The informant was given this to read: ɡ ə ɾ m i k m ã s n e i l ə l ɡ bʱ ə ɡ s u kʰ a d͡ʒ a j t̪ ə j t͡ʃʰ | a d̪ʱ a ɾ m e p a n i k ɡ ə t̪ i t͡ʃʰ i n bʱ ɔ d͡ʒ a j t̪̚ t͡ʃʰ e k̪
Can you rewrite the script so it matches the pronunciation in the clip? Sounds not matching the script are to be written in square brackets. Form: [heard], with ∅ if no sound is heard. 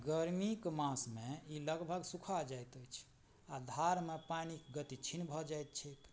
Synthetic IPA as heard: ɡ ə ɾ m i k m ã s [m] e i l ə [∅] ɡ bʱ ə ɡ s u kʰ a d͡ʒ a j t̪ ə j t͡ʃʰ | a d̪ʱ a ɾ m e p a n i k ɡ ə t̪ i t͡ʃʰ i n bʱ ɔ d͡ʒ a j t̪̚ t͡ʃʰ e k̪